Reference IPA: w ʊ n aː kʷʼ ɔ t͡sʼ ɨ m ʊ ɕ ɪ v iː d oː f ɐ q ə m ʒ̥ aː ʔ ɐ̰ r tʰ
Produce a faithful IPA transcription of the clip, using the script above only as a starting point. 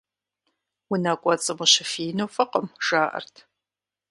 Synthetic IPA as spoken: w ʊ n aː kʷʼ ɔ t͡sʼ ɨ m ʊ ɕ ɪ f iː n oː f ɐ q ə m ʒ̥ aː ʔ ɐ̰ r tʰ